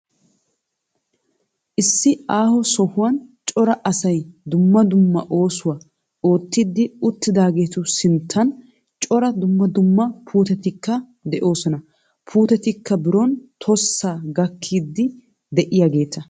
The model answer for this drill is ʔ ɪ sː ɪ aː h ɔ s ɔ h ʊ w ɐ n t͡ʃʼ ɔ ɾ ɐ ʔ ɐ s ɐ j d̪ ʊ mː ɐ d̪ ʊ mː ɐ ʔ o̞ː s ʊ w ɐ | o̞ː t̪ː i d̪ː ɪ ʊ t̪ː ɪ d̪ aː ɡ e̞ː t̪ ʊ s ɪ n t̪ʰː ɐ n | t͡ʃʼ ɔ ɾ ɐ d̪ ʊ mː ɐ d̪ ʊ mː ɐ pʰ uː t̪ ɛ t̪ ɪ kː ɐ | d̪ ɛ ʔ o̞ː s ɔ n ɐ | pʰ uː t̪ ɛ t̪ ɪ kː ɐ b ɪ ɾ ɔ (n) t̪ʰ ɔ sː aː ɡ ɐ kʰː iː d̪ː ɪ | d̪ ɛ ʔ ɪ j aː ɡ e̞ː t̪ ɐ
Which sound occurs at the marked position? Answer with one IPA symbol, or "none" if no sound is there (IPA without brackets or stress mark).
n